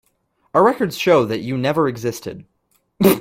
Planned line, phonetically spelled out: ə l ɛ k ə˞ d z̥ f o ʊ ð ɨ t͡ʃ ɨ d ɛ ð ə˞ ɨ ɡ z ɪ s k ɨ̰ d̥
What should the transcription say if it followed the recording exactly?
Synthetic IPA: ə ɹ ɛ k ə˞ d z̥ ʃ o ʊ ð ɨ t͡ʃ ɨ n ɛ v ə˞ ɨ ɡ z ɪ s t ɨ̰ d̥